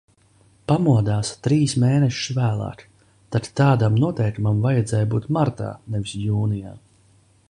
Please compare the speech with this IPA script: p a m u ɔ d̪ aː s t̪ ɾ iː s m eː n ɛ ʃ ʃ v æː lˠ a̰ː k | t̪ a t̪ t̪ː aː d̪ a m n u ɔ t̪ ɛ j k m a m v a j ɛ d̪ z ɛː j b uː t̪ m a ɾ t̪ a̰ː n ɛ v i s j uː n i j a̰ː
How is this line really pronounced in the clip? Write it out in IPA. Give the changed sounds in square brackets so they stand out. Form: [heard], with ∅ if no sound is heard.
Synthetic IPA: p a m u ɔ d̪ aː s t̪ ɾ iː s m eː n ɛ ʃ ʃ v æː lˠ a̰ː k | t̪ a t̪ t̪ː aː d̪ a m n u ɔ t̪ ɛ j k m a m v a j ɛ d̪ z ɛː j b uː t̪ m a ɾ t̪ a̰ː n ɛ v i s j uː n i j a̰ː